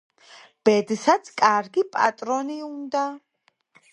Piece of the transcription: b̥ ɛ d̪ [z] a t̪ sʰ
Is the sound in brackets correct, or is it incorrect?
incorrect